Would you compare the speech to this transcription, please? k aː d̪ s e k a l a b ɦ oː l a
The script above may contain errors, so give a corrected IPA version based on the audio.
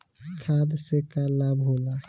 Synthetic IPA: kʰ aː d̪ s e k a l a b ɦ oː l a